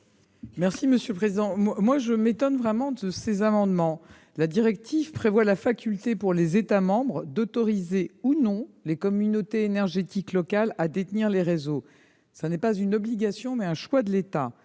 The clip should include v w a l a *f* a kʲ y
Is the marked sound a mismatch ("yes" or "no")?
no